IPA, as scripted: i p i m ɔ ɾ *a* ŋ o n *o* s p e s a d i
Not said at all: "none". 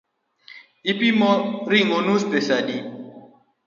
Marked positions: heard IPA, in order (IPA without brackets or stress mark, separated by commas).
i, u